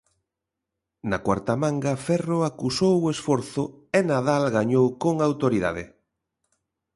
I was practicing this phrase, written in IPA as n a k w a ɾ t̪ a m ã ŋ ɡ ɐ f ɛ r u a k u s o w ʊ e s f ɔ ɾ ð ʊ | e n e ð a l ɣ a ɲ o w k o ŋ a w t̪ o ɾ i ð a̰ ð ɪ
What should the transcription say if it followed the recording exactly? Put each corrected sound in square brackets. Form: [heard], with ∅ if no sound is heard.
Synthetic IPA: n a k w a ɾ t̪ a m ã ŋ ɡ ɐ f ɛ r [o] a k u s o w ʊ e s f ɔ ɾ [θ] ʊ | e n [a] ð a l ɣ a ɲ o w k o ŋ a w t̪ o ɾ i ð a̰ ð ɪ